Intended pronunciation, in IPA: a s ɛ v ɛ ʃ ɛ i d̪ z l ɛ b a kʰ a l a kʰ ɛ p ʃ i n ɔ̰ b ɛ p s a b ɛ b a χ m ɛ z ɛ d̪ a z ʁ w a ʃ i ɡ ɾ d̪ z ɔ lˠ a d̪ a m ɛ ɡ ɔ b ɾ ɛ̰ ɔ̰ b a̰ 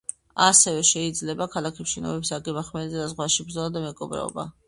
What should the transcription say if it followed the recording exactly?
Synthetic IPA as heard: a s ɛ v ɛ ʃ ɛ i d̪ z l ɛ b a kʰ a l a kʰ ɛ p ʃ i n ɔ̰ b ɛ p s a ɡ ɛ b a χ m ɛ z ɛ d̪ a z ʁ w a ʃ i b ɾ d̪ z ɔ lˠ a d̪ a m ɛ ɡ ɔ b ɾ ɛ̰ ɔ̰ b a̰